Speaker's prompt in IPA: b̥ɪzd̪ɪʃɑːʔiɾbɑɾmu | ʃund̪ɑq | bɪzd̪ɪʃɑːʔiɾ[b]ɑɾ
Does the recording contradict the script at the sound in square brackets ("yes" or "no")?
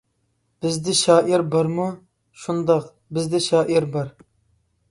no